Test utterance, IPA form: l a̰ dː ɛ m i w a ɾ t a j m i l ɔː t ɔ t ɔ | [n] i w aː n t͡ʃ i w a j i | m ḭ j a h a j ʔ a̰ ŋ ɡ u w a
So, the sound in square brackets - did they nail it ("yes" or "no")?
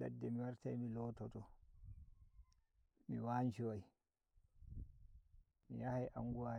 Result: no